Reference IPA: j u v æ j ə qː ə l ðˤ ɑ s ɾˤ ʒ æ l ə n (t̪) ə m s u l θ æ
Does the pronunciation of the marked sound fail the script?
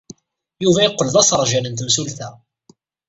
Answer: no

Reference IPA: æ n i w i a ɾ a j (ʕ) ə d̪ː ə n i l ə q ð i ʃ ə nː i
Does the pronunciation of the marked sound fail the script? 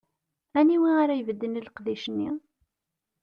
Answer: yes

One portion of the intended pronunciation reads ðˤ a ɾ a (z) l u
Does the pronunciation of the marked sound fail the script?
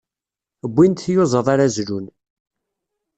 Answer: no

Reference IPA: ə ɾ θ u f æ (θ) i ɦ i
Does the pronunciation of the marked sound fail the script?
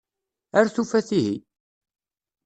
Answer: no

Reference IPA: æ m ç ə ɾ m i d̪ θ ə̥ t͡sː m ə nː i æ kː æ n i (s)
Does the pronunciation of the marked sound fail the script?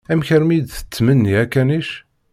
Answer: yes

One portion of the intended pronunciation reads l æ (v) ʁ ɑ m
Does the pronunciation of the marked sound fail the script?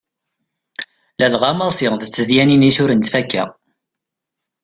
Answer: yes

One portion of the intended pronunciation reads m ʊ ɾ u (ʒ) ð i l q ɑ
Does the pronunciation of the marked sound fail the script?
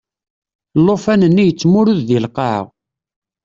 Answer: yes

